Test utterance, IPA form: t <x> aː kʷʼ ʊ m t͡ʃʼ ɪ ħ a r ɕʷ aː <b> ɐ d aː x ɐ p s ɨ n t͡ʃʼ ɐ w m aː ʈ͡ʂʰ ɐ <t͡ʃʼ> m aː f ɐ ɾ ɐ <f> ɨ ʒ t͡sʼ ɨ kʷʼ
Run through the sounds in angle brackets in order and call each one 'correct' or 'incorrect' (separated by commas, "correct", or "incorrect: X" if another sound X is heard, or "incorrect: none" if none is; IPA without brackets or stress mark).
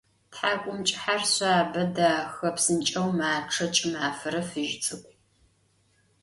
incorrect: ħ, correct, correct, correct